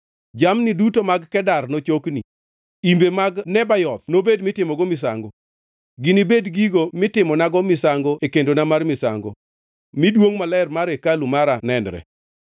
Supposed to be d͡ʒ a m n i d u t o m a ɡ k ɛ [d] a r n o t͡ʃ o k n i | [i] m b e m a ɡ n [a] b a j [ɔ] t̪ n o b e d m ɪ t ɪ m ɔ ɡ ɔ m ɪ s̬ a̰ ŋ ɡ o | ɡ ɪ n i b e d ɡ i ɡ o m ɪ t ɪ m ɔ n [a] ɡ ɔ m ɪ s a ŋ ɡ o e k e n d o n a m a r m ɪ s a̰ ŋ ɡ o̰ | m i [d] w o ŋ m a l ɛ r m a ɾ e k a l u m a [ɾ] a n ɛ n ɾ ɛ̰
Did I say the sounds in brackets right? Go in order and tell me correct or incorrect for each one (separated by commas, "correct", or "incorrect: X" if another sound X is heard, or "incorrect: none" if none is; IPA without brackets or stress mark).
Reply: correct, correct, incorrect: ɛ, correct, correct, correct, correct